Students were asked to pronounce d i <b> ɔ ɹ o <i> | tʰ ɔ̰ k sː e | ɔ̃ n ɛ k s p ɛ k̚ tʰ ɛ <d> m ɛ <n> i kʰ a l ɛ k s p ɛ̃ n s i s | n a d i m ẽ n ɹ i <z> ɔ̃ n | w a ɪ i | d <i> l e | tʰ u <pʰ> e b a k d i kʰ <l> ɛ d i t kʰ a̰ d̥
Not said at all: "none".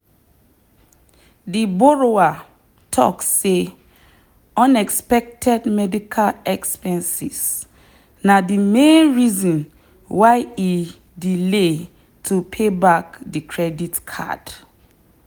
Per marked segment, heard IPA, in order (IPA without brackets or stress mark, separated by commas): b, a, d, d, z, i, pʰ, ɹ